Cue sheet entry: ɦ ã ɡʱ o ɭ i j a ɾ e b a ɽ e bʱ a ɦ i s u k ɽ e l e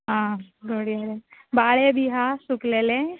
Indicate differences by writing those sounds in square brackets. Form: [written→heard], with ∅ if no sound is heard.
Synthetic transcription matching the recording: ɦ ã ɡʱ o [ɭ→ɽ] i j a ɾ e b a [ɽ→ɭ] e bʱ [a→i] ɦ [i→a] s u k [ɽ→l] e l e